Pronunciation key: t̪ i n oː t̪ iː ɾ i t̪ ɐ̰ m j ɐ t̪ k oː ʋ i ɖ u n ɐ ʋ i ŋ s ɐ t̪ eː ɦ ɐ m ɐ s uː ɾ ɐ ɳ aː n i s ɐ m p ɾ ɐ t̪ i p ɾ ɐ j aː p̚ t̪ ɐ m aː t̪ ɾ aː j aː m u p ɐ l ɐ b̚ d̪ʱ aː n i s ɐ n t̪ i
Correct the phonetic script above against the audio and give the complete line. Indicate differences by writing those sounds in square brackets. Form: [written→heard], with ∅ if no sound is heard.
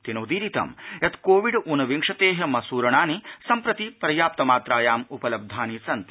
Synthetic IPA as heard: t̪ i n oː [t̪→d̪] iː ɾ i t̪ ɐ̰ m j ɐ t̪ k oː ʋ i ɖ u n ɐ ʋ i ŋ [s→ʂ] ɐ t̪ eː ɦ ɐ m ɐ s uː ɾ ɐ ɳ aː n i s ɐ m p ɾ ɐ t̪ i p ɾ ɐ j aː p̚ t̪ ɐ m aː t̪ ɾ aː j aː m u p ɐ l ɐ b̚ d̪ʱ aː n i s ɐ n t̪ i